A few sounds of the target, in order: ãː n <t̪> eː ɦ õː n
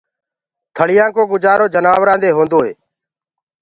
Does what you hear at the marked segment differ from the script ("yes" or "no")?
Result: yes